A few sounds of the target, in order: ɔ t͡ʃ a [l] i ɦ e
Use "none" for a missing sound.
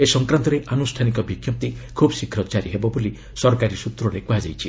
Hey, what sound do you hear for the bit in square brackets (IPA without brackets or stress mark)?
ɾ